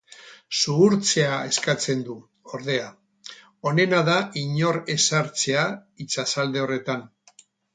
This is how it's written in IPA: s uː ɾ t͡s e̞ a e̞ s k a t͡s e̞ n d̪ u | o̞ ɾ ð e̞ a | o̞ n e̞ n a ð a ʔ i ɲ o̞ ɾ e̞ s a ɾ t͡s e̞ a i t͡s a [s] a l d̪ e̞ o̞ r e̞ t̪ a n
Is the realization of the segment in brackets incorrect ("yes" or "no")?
no